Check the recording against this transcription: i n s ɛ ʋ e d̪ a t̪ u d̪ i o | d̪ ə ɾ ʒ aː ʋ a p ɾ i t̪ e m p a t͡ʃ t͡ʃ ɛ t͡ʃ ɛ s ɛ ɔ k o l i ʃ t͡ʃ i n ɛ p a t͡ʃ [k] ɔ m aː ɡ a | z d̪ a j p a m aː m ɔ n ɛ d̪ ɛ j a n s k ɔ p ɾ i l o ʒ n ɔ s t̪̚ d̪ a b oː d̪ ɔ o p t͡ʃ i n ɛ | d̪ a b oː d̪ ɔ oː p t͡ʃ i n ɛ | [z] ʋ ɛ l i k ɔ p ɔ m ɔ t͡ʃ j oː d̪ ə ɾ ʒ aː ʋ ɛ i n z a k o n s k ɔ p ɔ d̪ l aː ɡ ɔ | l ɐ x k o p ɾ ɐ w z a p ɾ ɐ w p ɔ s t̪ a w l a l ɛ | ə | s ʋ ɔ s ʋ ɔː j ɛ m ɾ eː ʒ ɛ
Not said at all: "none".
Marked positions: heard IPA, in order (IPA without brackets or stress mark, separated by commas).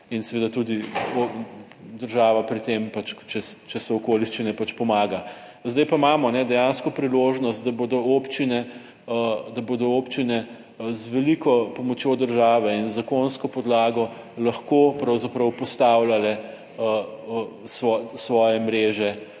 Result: p, z